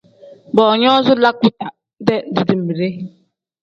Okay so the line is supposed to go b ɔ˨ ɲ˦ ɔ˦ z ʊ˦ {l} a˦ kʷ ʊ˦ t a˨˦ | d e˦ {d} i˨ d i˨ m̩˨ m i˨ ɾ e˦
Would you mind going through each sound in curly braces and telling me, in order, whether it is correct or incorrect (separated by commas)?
correct, correct